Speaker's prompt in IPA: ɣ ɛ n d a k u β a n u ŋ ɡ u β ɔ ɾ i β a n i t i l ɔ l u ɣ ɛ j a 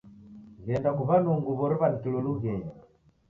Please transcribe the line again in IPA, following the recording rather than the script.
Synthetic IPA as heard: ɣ ɛ n d a k u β a n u ŋ ɡ u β ɔ ɾ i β a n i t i l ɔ l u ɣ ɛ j a